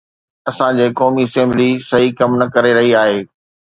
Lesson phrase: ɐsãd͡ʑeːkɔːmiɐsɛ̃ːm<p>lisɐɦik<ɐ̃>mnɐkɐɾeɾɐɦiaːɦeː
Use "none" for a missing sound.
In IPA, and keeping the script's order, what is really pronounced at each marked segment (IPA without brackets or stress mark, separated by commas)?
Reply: b, ɐ